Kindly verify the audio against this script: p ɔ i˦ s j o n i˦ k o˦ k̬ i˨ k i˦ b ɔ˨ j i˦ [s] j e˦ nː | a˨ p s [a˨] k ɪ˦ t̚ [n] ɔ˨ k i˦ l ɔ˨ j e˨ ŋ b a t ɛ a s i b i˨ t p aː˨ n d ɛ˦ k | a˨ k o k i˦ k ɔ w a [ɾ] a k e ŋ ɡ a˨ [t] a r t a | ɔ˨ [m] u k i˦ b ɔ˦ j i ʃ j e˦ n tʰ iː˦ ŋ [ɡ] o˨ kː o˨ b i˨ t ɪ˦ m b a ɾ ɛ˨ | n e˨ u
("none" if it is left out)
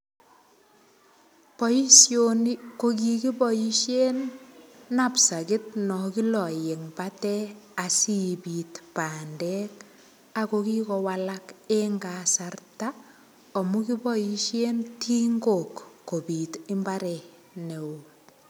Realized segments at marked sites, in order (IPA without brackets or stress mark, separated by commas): ʃ, a˨, n, l, s, m, ɡ